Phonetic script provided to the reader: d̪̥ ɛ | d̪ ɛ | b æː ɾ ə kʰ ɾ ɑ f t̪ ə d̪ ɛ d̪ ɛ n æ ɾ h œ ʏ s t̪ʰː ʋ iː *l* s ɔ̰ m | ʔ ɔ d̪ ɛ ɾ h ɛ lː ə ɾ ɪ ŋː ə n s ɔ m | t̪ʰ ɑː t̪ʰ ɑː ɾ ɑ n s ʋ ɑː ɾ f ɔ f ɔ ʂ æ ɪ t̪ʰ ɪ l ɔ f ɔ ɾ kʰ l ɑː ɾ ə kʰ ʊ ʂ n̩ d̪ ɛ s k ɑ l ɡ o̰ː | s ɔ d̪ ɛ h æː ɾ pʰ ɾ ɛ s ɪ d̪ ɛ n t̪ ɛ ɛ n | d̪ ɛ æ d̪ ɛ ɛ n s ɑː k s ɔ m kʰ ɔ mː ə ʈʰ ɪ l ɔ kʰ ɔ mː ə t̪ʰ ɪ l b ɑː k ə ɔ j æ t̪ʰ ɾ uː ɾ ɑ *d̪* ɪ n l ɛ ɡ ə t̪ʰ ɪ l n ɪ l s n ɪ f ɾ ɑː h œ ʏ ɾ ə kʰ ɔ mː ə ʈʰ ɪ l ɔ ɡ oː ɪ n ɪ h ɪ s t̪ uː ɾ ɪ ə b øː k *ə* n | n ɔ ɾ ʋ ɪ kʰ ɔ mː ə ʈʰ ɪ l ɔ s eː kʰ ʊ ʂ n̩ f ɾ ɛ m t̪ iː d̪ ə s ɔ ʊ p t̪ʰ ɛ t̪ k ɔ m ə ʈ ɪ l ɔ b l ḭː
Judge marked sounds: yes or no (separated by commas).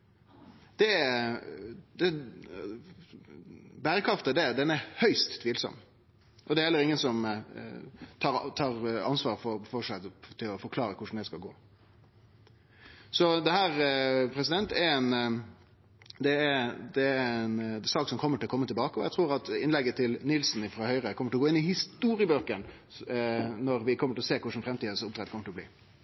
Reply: yes, no, yes